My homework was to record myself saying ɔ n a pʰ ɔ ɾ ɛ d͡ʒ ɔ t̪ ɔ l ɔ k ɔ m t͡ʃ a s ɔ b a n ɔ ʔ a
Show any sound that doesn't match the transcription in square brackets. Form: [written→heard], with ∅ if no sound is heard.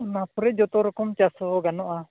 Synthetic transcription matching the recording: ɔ n a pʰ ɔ ɾ ɛ d͡ʒ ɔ t̪ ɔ [l→ɾ] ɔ k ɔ m t͡ʃ a s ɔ [b→ɡ] a n ɔ ʔ a